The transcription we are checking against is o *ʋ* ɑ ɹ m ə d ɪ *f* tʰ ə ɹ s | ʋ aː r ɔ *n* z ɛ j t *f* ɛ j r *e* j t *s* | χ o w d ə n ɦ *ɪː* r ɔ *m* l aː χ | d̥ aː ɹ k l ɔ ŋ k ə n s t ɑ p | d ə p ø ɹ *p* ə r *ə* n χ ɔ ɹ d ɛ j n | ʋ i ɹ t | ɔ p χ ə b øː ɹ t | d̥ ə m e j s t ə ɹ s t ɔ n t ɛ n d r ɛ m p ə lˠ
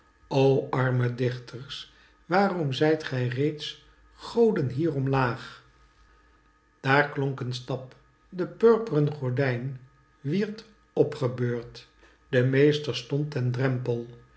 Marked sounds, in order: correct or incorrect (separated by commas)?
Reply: incorrect, incorrect, incorrect, incorrect, correct, correct, incorrect, correct, correct, correct